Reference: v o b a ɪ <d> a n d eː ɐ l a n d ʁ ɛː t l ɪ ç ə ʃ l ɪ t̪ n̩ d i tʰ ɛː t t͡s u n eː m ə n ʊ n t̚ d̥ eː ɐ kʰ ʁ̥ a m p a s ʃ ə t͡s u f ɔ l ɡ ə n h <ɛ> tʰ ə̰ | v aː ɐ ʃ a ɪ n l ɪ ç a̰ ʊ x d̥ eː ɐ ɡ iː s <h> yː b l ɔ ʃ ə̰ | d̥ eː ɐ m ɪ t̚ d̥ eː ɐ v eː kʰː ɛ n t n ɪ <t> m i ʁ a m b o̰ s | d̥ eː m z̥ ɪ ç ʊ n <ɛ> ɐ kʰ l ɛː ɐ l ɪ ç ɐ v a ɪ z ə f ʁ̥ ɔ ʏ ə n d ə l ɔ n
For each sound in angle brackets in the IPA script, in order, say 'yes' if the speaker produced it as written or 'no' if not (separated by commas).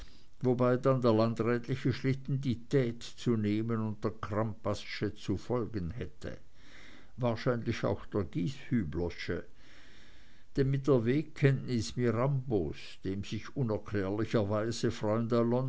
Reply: yes, yes, yes, no, yes